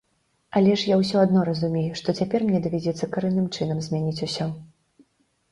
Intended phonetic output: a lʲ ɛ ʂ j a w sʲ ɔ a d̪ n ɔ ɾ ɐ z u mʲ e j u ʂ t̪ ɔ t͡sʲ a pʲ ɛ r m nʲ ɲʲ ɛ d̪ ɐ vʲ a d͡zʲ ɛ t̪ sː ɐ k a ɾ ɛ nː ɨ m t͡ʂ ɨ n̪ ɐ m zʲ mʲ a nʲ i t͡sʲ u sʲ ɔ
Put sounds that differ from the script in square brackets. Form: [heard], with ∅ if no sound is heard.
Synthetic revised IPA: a lʲ ɛ ʂ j a w sʲ ɔ a d̪ n ɔ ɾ ɐ z u mʲ e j u ʂ t̪ ɔ t͡sʲ a pʲ ɛ r m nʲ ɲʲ ɛ d̪ ɐ vʲ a d͡zʲ ɛ t̪ sː ɐ k a ɾ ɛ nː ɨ m t͡ʂ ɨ n̪ ɐ m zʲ mʲ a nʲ i t͡sʲ u sʲ ɔ